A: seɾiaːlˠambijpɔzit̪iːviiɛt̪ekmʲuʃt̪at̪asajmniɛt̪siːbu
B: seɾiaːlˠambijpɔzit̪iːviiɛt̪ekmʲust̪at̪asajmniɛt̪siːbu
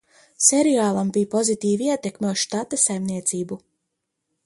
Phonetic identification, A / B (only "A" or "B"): A